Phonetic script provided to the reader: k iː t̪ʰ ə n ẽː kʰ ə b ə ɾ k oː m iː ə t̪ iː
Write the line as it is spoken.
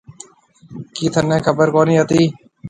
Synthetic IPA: k iː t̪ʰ ə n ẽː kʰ ə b ə ɾ k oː n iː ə t̪ iː